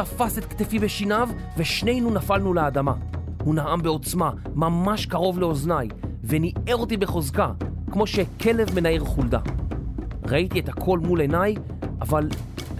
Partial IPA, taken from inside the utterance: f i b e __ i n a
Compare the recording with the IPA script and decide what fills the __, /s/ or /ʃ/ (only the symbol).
ʃ